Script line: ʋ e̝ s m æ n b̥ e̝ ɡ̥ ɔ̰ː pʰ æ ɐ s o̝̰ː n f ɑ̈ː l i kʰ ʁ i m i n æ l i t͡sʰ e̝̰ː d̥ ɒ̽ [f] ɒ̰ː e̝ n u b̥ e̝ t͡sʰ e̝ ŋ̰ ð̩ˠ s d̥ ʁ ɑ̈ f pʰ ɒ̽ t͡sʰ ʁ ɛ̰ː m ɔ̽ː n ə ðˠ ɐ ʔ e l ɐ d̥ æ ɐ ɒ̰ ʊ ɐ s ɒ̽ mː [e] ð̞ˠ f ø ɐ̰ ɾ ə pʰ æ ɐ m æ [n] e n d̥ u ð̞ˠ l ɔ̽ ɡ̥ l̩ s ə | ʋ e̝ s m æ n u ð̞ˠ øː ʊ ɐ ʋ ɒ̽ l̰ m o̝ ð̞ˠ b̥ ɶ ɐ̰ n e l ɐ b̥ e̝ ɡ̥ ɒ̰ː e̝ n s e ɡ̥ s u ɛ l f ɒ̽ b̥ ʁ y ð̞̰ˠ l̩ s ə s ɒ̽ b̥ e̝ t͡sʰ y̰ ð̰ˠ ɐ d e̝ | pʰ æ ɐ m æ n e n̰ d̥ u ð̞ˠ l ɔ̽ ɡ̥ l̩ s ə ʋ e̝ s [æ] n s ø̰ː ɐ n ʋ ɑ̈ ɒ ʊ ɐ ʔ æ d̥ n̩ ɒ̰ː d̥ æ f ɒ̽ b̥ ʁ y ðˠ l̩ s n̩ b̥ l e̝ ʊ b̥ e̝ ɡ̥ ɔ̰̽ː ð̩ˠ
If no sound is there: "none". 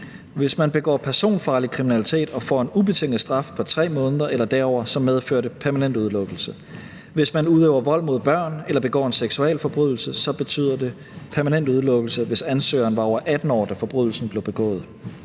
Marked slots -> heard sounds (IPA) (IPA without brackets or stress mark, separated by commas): f, e, n, æ